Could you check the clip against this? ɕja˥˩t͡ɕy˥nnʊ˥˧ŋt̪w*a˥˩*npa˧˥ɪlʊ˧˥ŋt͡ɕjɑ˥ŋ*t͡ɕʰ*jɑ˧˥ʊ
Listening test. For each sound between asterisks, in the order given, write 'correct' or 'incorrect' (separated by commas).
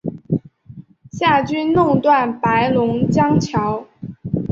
correct, correct